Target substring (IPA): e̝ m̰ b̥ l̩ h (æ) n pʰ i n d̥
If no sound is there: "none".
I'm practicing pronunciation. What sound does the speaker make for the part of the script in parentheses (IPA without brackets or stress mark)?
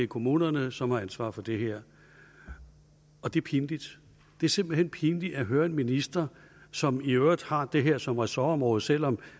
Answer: e